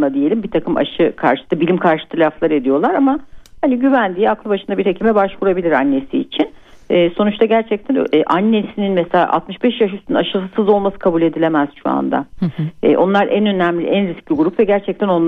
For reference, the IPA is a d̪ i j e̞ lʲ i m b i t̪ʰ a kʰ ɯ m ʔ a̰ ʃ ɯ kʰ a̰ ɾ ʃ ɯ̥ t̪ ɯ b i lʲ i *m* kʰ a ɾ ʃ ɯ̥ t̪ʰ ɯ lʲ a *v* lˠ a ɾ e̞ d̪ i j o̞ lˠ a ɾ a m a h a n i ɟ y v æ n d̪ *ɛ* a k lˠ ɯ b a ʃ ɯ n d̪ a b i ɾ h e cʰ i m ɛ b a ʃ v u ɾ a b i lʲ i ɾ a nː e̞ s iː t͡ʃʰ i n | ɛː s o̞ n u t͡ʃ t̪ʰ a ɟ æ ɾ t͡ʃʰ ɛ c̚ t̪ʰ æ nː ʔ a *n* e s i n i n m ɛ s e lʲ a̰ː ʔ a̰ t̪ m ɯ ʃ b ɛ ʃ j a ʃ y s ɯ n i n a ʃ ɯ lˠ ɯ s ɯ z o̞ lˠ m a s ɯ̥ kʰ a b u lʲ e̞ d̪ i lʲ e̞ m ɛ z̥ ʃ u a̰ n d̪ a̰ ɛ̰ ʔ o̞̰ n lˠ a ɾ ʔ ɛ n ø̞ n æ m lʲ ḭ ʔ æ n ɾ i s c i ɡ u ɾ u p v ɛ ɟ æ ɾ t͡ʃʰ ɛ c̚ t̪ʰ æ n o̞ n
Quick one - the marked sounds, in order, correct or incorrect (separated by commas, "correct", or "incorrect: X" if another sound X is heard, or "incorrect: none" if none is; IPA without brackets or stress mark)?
correct, incorrect: f, incorrect: i, incorrect: nː